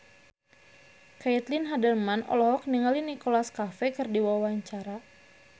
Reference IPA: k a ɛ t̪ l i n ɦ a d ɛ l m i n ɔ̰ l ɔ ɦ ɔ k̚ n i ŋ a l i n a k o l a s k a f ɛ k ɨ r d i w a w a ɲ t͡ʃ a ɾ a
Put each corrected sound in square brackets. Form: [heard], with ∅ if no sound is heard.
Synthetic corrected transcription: k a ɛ t̪ l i n ɦ a d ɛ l m [a] n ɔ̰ l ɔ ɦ ɔ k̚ n i ŋ a l i n [i] k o l a s k a f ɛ k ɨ r d i w a w a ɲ t͡ʃ a ɾ a